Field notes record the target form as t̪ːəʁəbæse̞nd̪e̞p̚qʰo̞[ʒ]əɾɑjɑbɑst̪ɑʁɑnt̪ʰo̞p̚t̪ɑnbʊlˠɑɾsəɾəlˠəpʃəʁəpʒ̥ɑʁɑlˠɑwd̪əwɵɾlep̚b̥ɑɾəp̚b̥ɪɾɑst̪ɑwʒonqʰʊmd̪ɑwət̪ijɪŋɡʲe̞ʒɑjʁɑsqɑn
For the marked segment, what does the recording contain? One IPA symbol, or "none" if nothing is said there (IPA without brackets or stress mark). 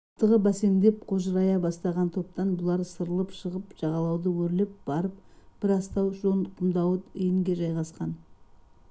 ʒ